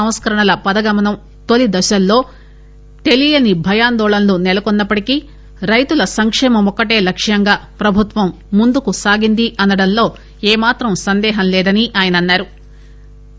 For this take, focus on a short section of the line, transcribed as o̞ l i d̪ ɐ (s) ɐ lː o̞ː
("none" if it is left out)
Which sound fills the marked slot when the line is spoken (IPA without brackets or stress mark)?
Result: ʃ